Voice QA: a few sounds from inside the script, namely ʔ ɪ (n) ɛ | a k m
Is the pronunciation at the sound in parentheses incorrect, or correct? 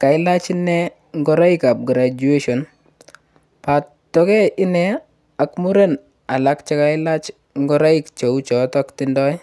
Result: correct